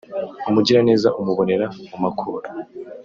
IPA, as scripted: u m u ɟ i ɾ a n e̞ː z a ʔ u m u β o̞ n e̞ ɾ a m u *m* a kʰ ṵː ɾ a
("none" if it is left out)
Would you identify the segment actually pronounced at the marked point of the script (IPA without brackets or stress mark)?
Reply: m